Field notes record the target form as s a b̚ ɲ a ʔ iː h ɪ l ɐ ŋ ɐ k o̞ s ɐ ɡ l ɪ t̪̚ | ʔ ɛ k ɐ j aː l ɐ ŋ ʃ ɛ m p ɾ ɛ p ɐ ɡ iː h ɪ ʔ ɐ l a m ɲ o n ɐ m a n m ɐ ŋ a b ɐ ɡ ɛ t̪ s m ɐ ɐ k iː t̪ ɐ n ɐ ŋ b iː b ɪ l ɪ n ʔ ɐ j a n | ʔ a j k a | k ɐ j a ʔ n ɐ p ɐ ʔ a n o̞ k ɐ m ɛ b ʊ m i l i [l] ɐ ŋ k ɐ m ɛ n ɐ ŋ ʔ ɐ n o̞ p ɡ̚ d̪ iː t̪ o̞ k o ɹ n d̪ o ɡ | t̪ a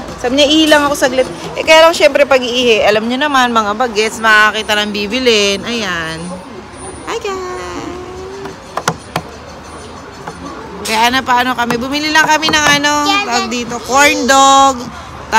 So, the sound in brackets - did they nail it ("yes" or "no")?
yes